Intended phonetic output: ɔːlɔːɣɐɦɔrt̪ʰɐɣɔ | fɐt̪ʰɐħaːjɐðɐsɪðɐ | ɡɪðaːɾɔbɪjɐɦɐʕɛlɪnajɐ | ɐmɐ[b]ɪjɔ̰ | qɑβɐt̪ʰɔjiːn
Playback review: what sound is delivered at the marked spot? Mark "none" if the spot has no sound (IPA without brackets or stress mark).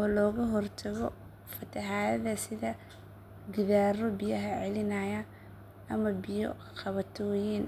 b